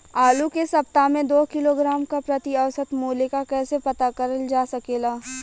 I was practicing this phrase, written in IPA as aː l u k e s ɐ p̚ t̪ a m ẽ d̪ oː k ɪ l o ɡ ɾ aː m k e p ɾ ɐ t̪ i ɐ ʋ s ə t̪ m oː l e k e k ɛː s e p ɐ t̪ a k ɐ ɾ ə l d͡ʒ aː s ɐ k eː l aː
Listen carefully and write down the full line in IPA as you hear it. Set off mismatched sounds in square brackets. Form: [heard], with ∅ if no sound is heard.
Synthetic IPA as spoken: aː l u k e s ɐ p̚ t̪ a m ẽ d̪ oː k ɪ l o ɡ ɾ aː m k [a] p ɾ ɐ t̪ i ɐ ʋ s ə t̪ m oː l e k [a] k ɛː s e p ɐ t̪ a k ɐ ɾ ə l d͡ʒ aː s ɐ k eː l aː